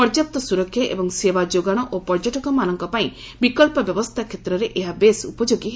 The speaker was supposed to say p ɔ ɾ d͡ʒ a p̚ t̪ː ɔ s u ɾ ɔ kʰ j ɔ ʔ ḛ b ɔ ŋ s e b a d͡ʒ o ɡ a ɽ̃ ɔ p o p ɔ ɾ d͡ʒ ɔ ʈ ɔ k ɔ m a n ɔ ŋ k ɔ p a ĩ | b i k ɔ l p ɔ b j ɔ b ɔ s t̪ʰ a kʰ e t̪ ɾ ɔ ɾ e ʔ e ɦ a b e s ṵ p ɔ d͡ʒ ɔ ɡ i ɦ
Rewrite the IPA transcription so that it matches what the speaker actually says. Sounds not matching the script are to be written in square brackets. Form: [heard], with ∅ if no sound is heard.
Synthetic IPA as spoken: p ɔ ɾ d͡ʒ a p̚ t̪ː ɔ s u ɾ ɔ kʰ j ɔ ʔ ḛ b ɔ ŋ s e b a d͡ʒ o ɡ a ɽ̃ ɔ [ʔ] o p ɔ ɾ d͡ʒ ɔ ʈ ɔ k ɔ m a n ɔ ŋ k ɔ p a ĩ | b i k ɔ l p ɔ b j ɔ b ɔ s t̪ʰ a kʰ e t̪ ɾ ɔ ɾ e ʔ e ɦ a b e s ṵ p ɔ d͡ʒ [o] ɡ i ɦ